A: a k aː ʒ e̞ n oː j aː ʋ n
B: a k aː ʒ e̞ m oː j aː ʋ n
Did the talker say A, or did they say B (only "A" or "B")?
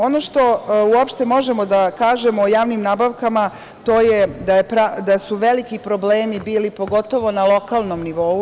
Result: B